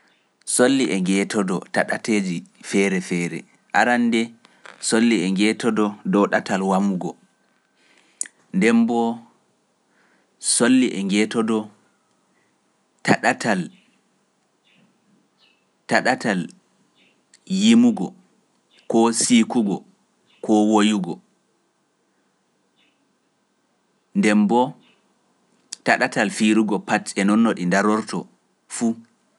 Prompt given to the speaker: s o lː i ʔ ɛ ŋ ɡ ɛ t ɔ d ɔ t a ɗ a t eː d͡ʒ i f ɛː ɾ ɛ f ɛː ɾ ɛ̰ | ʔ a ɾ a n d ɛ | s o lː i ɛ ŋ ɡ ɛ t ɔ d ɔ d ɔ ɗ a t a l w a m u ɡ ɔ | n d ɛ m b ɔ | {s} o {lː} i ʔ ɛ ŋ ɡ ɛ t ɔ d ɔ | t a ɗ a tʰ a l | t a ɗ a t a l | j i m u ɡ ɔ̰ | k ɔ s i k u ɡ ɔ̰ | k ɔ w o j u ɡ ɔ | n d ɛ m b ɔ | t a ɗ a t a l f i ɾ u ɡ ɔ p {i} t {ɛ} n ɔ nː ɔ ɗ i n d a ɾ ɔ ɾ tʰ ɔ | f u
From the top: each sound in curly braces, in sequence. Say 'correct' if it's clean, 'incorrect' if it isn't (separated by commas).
correct, correct, incorrect, correct